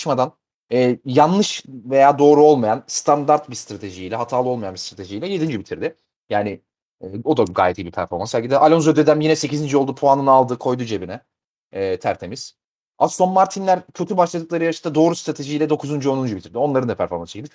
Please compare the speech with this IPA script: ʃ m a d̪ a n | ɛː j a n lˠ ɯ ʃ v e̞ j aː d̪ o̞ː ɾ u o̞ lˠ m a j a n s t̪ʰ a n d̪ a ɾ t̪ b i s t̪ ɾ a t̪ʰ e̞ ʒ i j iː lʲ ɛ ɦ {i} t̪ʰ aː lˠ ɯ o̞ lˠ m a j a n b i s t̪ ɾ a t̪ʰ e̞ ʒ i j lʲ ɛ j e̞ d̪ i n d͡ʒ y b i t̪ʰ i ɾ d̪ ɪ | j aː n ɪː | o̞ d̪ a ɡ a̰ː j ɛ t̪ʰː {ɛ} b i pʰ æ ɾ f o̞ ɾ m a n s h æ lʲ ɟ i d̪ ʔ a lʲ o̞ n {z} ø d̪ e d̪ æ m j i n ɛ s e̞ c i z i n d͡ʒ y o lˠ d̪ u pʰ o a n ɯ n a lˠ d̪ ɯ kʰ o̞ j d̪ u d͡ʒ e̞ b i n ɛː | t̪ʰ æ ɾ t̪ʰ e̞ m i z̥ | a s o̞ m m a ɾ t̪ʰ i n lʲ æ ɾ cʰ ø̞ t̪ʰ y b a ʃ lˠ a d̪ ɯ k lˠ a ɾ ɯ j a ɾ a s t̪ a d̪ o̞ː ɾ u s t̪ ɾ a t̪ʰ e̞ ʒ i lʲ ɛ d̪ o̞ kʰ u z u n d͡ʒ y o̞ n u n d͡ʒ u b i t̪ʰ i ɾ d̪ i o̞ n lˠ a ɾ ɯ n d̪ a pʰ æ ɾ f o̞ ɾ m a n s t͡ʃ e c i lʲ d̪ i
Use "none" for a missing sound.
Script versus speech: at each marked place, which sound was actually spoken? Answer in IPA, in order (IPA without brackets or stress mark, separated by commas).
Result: a, i, z